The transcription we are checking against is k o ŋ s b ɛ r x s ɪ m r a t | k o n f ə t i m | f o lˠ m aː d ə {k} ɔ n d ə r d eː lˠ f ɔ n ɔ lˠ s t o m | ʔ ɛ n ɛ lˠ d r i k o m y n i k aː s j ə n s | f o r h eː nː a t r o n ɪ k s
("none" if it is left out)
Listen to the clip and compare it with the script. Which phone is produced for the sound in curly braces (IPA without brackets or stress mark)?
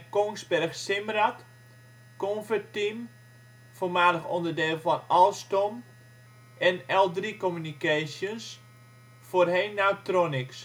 x